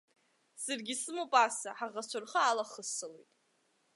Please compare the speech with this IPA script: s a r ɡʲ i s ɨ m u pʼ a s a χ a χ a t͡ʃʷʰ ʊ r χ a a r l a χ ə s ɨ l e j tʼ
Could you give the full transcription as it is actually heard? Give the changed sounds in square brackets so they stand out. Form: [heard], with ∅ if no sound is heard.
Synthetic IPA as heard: s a r ɡʲ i s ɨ m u pʼ a s a [ħ] a [ʁ] a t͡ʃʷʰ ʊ r χ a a [∅] l a χ ə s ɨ l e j tʼ